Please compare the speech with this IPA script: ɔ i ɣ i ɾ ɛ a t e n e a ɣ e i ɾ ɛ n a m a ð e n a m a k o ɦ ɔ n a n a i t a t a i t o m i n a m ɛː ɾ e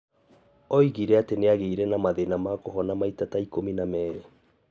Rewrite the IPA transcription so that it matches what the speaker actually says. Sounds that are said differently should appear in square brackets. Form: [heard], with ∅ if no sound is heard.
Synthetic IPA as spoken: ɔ i ɣ i ɾ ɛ a t e n e a ɣ e i ɾ ɛ n a m a ð e n a m a k o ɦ ɔ n a [m] a i t a t a i [k] o m i n a m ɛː ɾ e